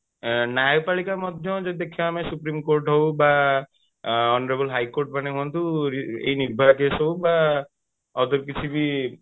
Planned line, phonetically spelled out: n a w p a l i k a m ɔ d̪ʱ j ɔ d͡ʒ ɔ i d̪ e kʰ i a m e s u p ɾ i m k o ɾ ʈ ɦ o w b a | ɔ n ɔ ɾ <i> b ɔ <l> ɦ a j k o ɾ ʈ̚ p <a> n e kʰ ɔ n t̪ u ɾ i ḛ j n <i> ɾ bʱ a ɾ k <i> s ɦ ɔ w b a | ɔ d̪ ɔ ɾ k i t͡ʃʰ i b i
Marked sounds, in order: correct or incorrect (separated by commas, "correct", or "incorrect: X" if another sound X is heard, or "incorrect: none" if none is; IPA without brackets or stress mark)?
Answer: incorrect: e, correct, correct, correct, incorrect: e